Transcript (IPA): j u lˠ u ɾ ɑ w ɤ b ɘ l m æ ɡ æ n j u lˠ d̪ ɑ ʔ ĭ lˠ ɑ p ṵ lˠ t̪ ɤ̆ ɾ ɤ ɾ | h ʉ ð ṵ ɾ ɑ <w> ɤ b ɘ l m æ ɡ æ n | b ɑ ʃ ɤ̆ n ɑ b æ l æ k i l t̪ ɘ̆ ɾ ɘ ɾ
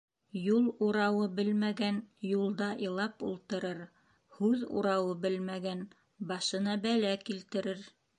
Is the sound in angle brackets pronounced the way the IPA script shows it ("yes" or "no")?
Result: yes